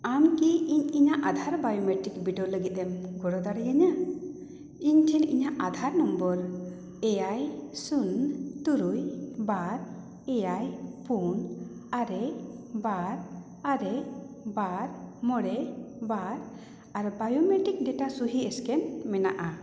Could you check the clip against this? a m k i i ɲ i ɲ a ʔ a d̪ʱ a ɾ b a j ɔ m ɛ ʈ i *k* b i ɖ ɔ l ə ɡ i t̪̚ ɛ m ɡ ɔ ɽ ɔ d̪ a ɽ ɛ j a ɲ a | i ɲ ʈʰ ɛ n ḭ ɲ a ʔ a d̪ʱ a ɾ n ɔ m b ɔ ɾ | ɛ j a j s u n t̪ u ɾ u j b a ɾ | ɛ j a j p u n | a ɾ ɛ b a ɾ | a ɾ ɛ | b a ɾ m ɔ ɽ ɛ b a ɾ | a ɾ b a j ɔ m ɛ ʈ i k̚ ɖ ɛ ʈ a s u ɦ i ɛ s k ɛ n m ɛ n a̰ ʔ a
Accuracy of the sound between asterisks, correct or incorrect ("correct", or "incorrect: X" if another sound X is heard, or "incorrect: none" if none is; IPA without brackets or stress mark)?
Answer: correct